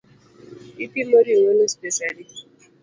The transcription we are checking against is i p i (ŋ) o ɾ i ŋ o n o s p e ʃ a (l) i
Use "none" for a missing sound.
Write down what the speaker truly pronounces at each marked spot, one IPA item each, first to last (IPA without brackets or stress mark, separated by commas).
m, l